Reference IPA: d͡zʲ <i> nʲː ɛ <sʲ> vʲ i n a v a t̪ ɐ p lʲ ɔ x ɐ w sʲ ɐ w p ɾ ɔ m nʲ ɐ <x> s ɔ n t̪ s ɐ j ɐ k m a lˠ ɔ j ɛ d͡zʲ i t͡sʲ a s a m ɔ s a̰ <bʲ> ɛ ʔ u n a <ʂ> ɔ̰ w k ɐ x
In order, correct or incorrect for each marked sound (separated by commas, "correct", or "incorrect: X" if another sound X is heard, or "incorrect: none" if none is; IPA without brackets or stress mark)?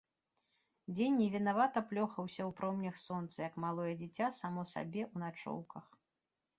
incorrect: e, incorrect: none, correct, correct, incorrect: t͡ʂ